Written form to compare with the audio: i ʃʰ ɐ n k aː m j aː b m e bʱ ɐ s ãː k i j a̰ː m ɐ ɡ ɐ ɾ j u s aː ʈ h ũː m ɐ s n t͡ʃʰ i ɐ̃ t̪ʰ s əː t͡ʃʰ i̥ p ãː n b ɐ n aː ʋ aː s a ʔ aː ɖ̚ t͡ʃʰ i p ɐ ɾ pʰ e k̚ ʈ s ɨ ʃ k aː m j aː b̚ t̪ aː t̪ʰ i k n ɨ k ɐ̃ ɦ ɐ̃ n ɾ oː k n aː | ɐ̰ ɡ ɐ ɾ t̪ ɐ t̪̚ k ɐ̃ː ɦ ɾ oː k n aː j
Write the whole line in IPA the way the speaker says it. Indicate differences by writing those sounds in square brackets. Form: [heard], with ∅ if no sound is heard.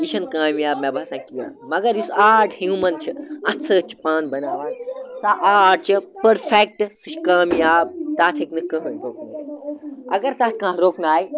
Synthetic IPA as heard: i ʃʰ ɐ n k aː m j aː b m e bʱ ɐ s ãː k i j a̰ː m ɐ ɡ ɐ ɾ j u s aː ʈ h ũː m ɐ [∅] n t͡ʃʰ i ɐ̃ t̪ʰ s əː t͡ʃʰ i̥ p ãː n b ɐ n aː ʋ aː s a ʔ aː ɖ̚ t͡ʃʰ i p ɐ ɾ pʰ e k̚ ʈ s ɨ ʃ k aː m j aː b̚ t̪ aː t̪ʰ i k n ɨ k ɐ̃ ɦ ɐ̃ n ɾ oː k n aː | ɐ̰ ɡ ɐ ɾ t̪ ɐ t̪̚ k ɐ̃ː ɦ ɾ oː k n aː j